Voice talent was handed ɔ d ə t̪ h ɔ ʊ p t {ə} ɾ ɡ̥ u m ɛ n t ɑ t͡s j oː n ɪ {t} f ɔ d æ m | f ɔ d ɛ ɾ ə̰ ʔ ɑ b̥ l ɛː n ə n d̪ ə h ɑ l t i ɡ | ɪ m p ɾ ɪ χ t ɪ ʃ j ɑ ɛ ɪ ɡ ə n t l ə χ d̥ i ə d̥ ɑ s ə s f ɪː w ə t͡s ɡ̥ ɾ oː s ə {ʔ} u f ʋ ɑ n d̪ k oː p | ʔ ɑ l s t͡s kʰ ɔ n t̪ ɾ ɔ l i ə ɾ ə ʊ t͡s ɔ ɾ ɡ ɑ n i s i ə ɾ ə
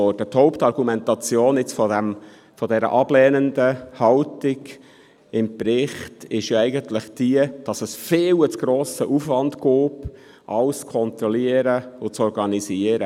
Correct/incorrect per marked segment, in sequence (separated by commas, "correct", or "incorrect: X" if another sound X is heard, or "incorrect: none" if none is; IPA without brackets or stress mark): incorrect: ɑ, incorrect: t͡s, correct